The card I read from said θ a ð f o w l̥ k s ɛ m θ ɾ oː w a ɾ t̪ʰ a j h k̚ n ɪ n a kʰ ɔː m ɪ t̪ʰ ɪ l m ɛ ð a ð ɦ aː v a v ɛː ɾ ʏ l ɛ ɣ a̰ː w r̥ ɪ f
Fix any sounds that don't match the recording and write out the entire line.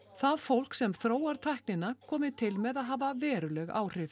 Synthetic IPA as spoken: θ a ð f o w l̥ k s ɛ m θ ɾ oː w a ɾ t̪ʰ a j h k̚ n ɪ n a kʰ ɔː m ɪ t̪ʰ ɪ l m ɛ ð a ð ɦ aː v a v ɛː ɾ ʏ l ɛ ɣ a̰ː w r̥ ɪ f